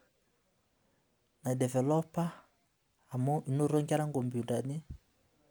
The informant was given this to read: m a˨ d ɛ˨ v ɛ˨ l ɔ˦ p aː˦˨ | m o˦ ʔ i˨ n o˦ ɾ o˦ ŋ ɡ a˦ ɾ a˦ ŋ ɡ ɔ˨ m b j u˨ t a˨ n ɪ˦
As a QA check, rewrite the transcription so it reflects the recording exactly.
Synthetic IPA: n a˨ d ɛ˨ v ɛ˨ l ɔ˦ p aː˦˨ | m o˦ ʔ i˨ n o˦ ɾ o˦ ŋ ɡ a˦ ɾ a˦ ŋ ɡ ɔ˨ m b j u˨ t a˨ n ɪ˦